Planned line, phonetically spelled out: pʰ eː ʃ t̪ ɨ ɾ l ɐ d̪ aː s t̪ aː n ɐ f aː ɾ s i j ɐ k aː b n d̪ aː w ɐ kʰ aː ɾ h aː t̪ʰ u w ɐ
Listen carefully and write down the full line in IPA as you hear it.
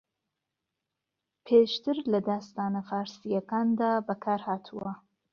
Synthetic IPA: pʰ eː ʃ t̪ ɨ ɾ l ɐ d̪ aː s t̪ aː n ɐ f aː ɾ s i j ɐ k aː n d̪ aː b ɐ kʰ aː ɾ h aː t̪ʰ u w ɐ

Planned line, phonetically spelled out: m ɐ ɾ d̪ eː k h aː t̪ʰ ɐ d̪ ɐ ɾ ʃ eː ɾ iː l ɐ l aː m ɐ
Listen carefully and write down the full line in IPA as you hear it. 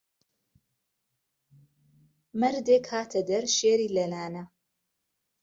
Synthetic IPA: m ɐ ɾ d̪ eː k h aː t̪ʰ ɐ d̪ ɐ ɾ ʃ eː ɾ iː l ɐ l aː n ɐ

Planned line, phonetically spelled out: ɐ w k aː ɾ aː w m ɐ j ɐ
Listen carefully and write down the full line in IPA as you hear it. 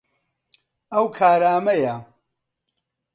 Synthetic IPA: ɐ w kʰ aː ɾ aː m ɐ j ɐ

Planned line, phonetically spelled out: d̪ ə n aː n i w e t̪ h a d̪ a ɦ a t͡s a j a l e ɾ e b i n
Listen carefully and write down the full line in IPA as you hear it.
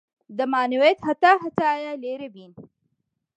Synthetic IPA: d̪ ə m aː n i w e t̪ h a t̪ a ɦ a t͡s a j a l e ɾ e b i n

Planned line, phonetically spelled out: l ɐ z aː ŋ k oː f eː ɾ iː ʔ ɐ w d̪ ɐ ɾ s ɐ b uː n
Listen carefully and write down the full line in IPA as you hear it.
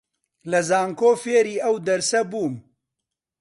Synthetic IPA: l ɐ z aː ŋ k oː f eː ɾ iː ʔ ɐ w d̪ ɐ ɾ s ɐ b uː m

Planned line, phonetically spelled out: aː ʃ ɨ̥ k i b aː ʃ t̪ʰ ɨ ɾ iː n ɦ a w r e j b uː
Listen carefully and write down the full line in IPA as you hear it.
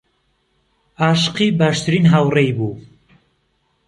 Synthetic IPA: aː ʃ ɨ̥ q i b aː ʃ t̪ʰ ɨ ɾ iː n ɦ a w r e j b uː

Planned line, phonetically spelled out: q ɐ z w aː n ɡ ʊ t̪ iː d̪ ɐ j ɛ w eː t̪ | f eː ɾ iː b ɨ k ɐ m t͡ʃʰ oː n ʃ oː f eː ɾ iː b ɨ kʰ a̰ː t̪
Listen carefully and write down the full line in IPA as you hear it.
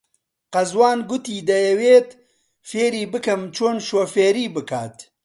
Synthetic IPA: q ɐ z w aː n ɡ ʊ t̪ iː d̪ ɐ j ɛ w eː t̪ | f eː ɾ iː b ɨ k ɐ m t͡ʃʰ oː n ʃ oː f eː ɾ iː b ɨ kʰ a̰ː t̪

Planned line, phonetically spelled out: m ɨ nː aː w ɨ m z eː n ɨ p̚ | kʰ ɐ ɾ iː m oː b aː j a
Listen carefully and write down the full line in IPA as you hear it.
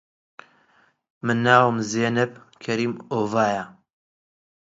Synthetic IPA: m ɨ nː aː w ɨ m z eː n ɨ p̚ | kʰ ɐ ɾ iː m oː v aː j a

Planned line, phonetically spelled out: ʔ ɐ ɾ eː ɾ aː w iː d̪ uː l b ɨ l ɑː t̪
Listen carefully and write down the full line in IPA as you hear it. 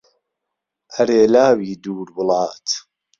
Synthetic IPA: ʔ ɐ ɾ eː l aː w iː d̪ uː ɾ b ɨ l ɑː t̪

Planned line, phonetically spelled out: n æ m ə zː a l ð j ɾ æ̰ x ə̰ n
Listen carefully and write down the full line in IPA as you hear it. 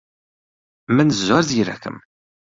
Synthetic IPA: m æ n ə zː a ɾ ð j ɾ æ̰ k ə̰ m

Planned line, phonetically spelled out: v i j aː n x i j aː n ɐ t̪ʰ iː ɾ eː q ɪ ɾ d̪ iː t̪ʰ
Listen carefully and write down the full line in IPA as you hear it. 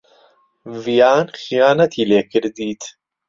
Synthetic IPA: v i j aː n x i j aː n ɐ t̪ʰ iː l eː k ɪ ɾ d̪ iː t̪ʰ

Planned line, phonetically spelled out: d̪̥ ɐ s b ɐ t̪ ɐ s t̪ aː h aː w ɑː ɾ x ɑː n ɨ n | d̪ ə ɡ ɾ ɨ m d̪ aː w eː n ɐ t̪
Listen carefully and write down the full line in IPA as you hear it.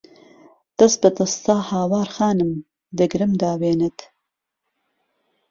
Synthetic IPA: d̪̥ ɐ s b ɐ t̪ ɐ s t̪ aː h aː w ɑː ɾ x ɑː n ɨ m | d̪ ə ɡ ɾ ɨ m d̪ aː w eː n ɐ t̪

